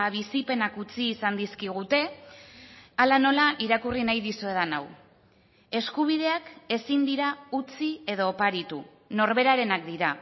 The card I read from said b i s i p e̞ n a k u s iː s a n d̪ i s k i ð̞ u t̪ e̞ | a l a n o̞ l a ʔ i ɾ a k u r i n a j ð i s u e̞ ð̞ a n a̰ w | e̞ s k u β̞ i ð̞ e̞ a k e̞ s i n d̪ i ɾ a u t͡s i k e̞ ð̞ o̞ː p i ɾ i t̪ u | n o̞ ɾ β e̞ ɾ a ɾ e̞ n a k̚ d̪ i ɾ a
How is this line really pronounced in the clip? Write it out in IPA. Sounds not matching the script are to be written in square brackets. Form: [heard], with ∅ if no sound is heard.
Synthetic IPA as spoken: [β] i s i p e̞ n a k u [t͡s] iː s a n d̪ i s k i [ɣ̞] u t̪ e̞ | a l a n o̞ l a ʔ i ɾ a k u r i n a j ð i s u e̞ ð̞ a n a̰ w | e̞ s k u β̞ i ð̞ e̞ a k e̞ s i n d̪ i ɾ a u t͡s i [∅] e̞ ð̞ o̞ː p [a] ɾ i t̪ u | n o̞ ɾ β e̞ ɾ a ɾ e̞ n a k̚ d̪ i ɾ a

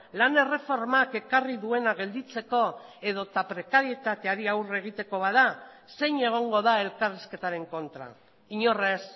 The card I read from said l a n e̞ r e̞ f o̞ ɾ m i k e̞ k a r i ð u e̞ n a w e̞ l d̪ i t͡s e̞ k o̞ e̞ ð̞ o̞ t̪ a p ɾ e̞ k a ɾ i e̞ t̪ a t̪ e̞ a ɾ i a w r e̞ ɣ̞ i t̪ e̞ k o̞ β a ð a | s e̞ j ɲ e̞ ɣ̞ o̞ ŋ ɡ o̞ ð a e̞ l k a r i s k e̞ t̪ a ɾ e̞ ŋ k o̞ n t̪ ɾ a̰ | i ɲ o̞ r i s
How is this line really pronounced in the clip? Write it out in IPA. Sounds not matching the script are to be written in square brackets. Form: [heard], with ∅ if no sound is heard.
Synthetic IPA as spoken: l a n e̞ r e̞ f o̞ ɾ m [a] k e̞ k a r i ð u e̞ n a [ɣ] e̞ l d̪ i t͡s e̞ k o̞ e̞ ð̞ o̞ t̪ a p ɾ e̞ k a ɾ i e̞ t̪ a t̪ e̞ a ɾ i a w r e̞ ɣ̞ i t̪ e̞ k o̞ β a ð a | s e̞ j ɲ e̞ ɣ̞ o̞ ŋ ɡ o̞ ð a e̞ l k a r i s k e̞ t̪ a ɾ e̞ ŋ k o̞ n t̪ ɾ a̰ | i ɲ o̞ r [e] s

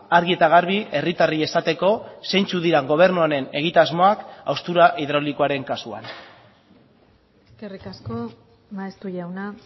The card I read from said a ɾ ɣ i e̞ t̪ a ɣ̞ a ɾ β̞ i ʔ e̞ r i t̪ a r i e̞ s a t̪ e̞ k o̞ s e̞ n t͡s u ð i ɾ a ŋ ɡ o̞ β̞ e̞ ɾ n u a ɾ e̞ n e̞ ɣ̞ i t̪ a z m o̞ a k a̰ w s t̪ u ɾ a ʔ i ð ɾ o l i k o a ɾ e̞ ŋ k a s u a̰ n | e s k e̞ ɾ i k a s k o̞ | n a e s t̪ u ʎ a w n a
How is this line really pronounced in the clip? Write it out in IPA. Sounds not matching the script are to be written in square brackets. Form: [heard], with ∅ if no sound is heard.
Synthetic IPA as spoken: a ɾ ɣ i e̞ t̪ a ɣ̞ a ɾ β̞ i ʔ e̞ r i t̪ a r i e̞ s a t̪ e̞ k o̞ s e̞ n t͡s u ð i ɾ a ŋ ɡ o̞ β̞ e̞ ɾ n u a ɾ e̞ n e̞ ɣ̞ i t̪ a z m o̞ a k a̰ w s t̪ u ɾ a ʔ i ð ɾ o l i k o a ɾ e̞ ŋ k a s u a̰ n | e s k e̞ [r] i k a s k o̞ | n a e s t̪ u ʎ a w n a

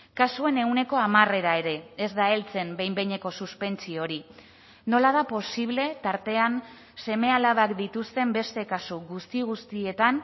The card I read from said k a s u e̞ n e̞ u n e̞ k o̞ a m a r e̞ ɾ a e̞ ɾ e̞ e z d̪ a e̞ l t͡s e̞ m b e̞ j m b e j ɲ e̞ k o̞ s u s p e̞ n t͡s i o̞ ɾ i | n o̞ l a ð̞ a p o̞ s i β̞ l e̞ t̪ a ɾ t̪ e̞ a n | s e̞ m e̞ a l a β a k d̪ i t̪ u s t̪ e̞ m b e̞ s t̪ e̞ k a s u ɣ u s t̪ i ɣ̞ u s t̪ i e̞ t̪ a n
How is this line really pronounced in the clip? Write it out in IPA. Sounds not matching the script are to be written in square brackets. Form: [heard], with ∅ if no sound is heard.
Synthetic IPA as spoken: k a s u e̞ n e̞ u n e̞ k o̞ a m a r e̞ ɾ a e̞ ɾ e̞ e z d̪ a e̞ l t͡s e̞ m b e̞ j m b e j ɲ e̞ k o̞ s u s p e̞ n t͡s i o̞ ɾ i | n o̞ l a ð̞ a p o̞ s i β̞ l e̞ t̪ a ɾ t̪ e̞ a n | s e̞ m e̞ a l a β a k d̪ i t̪ u s t̪ e̞ m b e̞ s t̪ e̞ k a s u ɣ u s t̪ i ɣ̞ u s t̪ i e̞ t̪ a n

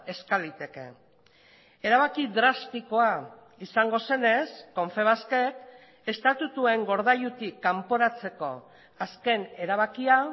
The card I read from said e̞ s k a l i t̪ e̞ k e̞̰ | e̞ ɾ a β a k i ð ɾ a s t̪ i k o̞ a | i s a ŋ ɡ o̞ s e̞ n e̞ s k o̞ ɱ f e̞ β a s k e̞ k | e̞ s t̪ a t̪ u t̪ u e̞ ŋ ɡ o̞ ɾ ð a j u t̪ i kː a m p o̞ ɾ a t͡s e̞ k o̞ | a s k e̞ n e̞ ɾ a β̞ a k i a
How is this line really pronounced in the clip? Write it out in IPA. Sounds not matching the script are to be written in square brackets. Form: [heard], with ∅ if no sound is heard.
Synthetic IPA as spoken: e̞ s k a l i t̪ e̞ k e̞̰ | e̞ ɾ a β a k i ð ɾ a s t̪ i k o̞ a | i s a ŋ ɡ o̞ s e̞ n e̞ s k o̞ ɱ f e̞ β a s k e̞ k | e̞ s t̪ a t̪ u t̪ u e̞ ŋ ɡ o̞ ɾ ð a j u t̪ i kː a m p o̞ ɾ a t͡s e̞ k o̞ | a s k e̞ n e̞ ɾ a β̞ a k i a

